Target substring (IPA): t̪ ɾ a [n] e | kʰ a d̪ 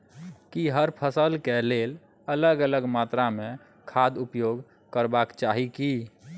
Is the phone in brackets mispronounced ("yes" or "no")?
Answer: yes